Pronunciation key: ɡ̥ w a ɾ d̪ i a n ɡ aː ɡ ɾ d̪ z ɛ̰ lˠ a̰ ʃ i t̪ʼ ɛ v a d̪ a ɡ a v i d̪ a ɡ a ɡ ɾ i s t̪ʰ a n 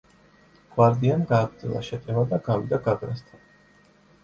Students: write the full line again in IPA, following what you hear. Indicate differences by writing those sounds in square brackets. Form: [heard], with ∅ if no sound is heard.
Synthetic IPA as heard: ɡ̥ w a ɾ d̪ i a n ɡ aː ɡ ɾ d̪ z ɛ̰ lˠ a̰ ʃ [ɛ] t̪ʼ ɛ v a d̪ a ɡ a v i d̪ a ɡ a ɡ ɾ [a] s t̪ʰ a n